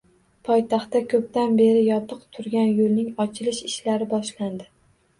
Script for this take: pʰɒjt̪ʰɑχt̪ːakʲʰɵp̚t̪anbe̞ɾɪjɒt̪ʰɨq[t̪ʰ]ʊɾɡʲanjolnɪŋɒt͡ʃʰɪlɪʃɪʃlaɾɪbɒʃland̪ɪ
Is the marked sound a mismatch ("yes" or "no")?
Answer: no